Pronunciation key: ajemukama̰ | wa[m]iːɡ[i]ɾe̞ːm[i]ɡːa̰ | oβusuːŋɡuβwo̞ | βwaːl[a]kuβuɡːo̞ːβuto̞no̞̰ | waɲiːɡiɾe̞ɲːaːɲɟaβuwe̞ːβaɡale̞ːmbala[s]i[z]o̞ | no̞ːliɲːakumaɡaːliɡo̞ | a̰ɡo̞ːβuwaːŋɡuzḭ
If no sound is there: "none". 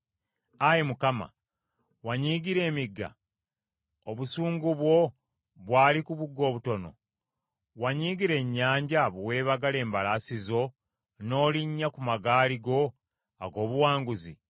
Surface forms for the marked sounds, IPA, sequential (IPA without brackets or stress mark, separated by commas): ɲ, i, i, i, s, z